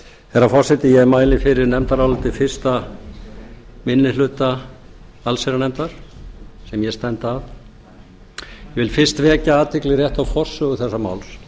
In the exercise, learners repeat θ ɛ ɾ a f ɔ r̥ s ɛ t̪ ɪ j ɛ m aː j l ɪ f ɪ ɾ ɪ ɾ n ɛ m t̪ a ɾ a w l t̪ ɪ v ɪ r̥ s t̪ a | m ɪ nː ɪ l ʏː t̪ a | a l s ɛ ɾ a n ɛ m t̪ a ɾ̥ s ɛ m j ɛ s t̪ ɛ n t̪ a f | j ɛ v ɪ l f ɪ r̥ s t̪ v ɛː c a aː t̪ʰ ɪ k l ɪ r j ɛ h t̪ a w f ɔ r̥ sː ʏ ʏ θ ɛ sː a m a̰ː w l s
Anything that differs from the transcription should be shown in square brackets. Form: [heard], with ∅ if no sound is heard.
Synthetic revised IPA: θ ɛ ɾ a f ɔ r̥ s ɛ t̪ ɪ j ɛ m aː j l ɪ f ɪ ɾ ɪ ɾ n ɛ m t̪ a ɾ a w l t̪ ɪ [f] ɪ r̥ s t̪ a | m ɪ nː ɪ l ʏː t̪ a | a l s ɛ ɾ a n ɛ m t̪ a ɾ̥ s ɛ m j ɛ s t̪ ɛ n t̪ a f | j ɛ v ɪ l f ɪ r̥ s t̪ v ɛː c a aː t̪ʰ ɪ k l ɪ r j ɛ h t̪ a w f ɔ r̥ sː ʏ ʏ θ ɛ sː a m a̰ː w l s